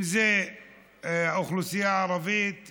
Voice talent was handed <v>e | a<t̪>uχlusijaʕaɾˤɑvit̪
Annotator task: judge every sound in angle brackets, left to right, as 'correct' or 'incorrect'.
incorrect, incorrect

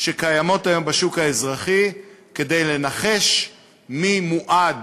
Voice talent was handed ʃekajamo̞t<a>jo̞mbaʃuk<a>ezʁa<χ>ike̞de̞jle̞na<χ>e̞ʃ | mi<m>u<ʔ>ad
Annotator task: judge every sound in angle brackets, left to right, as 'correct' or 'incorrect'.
correct, correct, correct, correct, correct, correct

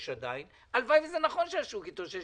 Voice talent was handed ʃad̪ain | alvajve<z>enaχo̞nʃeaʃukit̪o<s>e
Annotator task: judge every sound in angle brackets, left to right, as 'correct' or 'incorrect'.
correct, incorrect

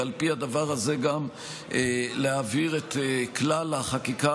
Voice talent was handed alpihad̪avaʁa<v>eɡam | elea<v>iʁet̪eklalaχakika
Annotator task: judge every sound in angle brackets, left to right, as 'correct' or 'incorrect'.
incorrect, correct

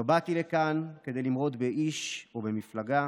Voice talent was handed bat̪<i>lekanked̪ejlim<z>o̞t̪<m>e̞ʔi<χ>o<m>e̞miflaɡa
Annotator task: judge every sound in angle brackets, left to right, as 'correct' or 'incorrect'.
correct, incorrect, incorrect, incorrect, incorrect

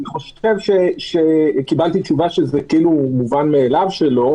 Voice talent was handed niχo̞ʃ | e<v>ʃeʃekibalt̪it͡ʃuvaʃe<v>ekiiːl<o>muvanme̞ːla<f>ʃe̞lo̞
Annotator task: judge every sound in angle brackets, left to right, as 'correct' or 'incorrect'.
correct, incorrect, incorrect, incorrect

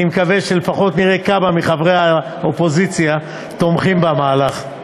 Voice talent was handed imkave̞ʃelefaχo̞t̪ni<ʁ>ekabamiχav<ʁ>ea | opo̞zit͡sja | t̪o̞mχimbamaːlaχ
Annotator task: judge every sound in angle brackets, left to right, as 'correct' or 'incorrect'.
correct, correct

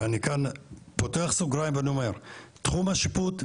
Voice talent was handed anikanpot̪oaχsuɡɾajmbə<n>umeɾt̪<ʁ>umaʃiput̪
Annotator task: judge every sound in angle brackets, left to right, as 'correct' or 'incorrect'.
correct, incorrect

